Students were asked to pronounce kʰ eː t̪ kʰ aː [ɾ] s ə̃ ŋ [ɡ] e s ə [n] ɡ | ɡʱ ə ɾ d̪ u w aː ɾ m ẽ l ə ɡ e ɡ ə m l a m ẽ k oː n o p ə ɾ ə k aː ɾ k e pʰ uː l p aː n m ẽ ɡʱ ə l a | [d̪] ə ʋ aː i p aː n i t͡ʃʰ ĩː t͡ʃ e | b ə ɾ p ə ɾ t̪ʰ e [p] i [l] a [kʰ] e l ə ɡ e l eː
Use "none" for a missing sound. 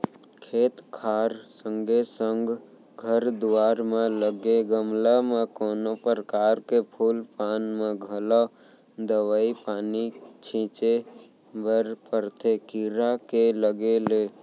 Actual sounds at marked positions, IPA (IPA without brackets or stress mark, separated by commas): ɾ, ɡ, ŋ, d̪, k, ɾ, k